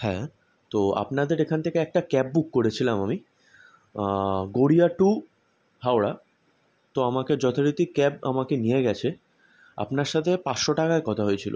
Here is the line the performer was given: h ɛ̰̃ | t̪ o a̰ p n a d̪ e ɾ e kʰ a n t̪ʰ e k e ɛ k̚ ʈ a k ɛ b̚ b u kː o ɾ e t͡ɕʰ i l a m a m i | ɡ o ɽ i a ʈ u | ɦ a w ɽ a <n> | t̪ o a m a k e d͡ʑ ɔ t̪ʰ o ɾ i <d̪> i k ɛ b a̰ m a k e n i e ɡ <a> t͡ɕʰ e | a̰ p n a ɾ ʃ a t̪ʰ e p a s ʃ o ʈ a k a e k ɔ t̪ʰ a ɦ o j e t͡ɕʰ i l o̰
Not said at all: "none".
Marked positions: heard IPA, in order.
none, t̪, ɛ

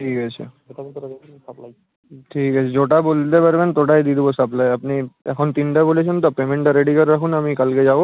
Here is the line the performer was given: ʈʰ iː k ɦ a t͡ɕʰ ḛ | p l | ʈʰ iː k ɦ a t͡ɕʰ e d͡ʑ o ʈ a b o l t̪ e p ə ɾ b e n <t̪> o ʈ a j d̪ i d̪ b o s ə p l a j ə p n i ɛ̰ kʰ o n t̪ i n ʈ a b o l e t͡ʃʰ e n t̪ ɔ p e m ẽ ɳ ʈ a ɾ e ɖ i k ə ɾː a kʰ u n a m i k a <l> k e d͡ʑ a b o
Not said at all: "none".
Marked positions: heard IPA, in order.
t̪, l

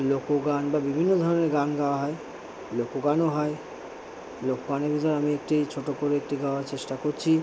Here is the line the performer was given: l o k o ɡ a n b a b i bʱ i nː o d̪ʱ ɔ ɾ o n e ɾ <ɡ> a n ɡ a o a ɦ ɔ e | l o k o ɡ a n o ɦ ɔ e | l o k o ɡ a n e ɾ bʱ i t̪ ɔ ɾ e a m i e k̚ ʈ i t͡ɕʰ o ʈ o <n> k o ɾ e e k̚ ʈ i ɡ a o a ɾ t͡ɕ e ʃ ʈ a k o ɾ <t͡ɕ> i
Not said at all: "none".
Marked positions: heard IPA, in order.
ɡ, none, t͡ɕʰ

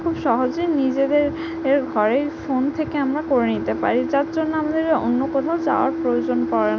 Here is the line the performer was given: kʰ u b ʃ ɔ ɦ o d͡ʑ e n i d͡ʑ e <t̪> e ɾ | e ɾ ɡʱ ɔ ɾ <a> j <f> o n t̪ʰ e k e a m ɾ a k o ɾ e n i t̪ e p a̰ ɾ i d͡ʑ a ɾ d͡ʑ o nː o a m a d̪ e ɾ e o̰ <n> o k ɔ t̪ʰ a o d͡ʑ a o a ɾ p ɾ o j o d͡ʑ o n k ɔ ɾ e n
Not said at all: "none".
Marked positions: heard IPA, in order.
d̪, e, f, nː

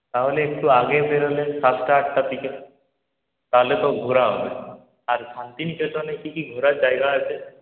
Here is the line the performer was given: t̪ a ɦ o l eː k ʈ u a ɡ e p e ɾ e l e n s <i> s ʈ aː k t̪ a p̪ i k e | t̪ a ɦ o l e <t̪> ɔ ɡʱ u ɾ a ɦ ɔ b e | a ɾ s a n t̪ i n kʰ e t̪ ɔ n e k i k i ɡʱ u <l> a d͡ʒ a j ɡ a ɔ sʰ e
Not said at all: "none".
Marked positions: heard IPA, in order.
a, t̪, ɾ

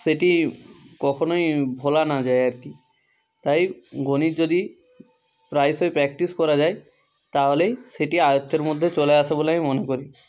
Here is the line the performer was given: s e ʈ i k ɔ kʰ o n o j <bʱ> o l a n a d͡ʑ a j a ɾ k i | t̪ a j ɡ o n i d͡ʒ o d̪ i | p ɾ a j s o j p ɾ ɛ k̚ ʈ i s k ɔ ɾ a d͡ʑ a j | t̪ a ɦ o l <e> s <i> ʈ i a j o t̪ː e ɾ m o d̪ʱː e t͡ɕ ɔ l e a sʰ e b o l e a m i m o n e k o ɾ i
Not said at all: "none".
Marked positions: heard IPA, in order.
bʱ, e, e

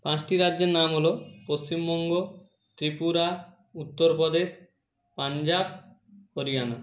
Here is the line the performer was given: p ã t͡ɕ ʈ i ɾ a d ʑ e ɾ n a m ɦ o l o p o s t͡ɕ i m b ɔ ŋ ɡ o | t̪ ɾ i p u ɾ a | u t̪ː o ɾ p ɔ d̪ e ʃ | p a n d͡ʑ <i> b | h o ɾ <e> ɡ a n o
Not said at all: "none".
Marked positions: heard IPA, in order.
a, i

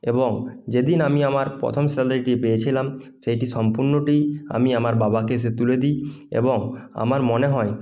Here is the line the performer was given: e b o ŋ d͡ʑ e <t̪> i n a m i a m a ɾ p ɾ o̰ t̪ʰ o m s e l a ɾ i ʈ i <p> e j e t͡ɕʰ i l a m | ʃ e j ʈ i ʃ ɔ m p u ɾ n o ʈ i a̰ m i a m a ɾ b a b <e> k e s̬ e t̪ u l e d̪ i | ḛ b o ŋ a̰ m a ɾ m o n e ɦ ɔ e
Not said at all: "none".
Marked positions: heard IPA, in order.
d̪, p, a

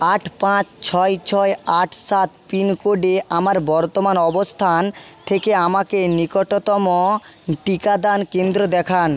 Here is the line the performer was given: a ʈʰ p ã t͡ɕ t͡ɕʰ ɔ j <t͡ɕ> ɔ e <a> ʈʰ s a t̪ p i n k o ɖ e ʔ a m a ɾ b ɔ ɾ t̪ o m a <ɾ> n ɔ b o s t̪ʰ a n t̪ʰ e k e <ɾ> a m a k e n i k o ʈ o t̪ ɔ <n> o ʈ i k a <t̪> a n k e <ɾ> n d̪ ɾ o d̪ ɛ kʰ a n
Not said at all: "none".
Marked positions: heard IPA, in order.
t͡ɕʰ, a, none, none, m, d̪, none

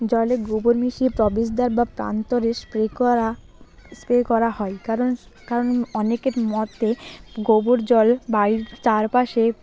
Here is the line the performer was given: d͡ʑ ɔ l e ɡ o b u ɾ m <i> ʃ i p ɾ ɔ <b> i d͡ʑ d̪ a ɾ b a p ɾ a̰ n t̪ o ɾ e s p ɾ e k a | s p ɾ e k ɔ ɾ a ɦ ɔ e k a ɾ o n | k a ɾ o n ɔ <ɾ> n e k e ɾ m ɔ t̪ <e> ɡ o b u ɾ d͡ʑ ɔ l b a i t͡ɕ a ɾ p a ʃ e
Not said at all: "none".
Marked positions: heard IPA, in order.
i, b, none, e

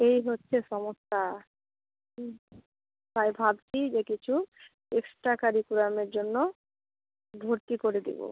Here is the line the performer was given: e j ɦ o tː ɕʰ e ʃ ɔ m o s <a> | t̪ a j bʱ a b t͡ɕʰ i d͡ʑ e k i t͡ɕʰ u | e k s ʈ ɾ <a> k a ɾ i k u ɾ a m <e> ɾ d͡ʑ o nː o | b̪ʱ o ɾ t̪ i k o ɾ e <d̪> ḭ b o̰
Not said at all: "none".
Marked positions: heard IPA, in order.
a, a, e, d̪

